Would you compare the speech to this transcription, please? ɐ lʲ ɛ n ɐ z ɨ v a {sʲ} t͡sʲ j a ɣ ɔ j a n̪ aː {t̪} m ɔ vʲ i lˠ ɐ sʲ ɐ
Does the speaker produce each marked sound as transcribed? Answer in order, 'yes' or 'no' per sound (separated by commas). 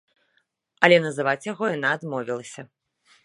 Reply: no, no